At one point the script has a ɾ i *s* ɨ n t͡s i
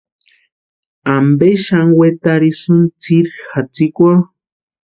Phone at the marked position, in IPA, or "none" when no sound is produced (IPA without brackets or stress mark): s